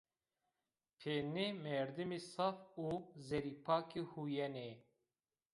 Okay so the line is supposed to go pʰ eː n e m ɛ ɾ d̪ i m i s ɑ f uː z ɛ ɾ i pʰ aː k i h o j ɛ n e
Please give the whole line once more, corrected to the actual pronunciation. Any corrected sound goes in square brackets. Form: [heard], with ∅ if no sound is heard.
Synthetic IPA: pʰ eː n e m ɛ ɾ d̪ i m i s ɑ f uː z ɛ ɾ i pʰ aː k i h [u] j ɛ n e